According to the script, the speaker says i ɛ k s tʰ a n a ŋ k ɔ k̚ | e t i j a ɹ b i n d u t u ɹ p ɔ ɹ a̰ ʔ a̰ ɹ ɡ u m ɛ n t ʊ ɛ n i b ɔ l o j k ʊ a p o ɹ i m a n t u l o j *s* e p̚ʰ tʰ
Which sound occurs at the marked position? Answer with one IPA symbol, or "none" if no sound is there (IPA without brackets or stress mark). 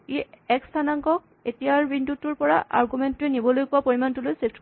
s